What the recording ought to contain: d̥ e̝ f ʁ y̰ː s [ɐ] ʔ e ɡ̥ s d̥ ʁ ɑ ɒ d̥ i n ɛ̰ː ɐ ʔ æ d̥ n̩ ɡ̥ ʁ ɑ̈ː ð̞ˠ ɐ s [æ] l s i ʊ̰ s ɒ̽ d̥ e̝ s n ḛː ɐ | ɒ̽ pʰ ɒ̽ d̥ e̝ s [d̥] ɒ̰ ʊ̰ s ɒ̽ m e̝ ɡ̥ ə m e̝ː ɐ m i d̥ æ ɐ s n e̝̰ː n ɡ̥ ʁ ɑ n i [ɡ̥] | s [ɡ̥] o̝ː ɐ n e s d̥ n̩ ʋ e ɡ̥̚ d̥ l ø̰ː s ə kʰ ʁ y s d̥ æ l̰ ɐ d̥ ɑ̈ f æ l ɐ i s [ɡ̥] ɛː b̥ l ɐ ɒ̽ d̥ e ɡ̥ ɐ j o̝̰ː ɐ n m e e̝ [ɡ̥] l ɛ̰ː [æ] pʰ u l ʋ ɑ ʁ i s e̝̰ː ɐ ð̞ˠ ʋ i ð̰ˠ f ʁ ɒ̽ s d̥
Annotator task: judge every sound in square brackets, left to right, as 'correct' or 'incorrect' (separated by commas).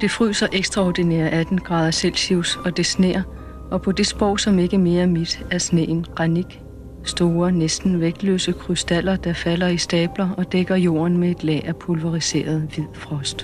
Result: correct, incorrect, incorrect, correct, incorrect, incorrect, incorrect, correct